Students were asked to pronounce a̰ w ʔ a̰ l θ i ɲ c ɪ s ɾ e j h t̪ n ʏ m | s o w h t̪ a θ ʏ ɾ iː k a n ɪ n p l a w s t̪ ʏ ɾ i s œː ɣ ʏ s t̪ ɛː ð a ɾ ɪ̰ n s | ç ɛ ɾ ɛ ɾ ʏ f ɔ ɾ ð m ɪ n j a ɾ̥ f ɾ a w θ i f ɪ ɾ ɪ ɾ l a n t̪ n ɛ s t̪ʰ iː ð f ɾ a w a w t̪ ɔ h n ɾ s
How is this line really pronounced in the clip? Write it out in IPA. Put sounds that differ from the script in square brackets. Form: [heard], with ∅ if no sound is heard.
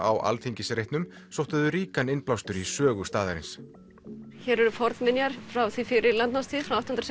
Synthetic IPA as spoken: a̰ w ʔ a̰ l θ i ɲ c ɪ s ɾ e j h t̪ n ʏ m | s o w h t̪ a [ð] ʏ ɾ iː k a n ɪ n p l a w s t̪ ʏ ɾ i s œː ɣ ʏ s t̪ [aː] ð a ɾ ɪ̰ n s | ç ɛ ɾ ɛ ɾ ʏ f ɔ ɾ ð m ɪ n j a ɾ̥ f ɾ a w θ i f ɪ ɾ ɪ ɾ l a n t̪ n [a] s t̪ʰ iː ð f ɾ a w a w t̪ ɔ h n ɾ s